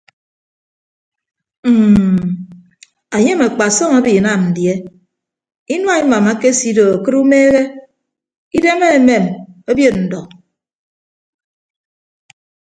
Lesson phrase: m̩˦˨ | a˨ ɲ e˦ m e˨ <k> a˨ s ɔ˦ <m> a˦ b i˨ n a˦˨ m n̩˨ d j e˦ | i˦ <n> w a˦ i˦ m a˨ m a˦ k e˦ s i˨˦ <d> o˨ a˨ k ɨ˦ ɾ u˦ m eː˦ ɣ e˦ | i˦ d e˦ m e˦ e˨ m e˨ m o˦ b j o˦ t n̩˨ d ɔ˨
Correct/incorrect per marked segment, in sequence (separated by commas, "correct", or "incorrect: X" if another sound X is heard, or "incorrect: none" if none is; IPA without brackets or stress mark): incorrect: k͡p, incorrect: ŋ, correct, correct